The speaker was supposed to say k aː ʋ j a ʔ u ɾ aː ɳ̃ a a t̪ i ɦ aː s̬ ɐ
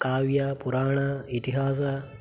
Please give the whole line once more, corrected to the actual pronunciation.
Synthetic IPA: k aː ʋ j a p u ɾ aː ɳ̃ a i t̪ i ɦ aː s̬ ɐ